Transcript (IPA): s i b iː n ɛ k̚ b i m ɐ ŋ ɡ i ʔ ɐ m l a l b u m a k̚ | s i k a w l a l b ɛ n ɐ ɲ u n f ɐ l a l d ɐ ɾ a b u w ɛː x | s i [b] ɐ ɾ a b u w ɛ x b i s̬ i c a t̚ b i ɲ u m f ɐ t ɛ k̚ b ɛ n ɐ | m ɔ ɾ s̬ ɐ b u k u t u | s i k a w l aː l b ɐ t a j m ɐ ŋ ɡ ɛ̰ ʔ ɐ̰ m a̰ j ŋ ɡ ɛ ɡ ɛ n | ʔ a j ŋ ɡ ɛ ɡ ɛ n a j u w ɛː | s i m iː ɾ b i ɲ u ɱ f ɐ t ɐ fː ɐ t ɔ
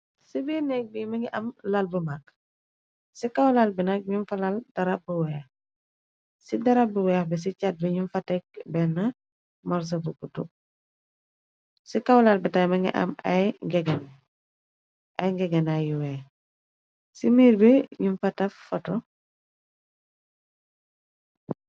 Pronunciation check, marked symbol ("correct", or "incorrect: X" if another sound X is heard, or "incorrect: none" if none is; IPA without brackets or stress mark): incorrect: d